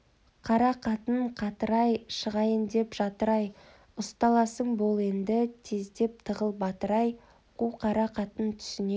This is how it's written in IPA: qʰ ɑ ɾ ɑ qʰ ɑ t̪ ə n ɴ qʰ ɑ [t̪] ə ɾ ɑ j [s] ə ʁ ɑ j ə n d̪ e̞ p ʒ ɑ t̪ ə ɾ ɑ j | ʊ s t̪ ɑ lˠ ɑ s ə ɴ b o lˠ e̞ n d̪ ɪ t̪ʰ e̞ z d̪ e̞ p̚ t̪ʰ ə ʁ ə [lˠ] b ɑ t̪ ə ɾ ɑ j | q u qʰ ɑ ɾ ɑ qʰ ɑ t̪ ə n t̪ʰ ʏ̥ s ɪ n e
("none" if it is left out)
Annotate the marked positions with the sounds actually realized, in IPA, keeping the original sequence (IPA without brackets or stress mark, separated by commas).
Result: t̪, ʃ, lˠ